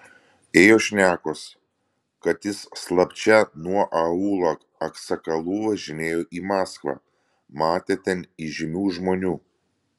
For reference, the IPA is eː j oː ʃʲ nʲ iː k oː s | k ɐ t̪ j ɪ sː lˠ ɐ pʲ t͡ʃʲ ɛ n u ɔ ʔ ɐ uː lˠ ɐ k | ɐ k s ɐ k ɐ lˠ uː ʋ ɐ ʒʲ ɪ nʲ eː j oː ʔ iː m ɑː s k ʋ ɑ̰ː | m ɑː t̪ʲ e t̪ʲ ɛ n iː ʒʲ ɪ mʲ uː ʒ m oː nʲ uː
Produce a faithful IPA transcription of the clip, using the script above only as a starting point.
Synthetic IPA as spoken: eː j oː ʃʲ nʲ æː k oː s | k ɐ t̪ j ɪ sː lˠ ɐ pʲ t͡ʃʲ ɛ n u ɔ ʔ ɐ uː lˠ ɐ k | ɐ k s ɐ k ɐ lˠ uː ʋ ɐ ʒʲ ɪ nʲ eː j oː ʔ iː m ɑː s k ʋ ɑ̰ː | m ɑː t̪ʲ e t̪ʲ ɛ n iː ʒʲ ɪ mʲ uː ʒ m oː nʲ uː